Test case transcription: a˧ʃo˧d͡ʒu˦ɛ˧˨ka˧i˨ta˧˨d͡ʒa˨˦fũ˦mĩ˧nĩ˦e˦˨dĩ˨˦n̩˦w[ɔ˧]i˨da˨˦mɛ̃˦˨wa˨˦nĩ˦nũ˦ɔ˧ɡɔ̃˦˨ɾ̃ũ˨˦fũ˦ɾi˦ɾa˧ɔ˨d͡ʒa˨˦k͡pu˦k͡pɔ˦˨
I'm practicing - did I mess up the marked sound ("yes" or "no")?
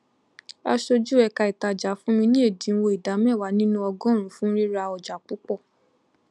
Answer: yes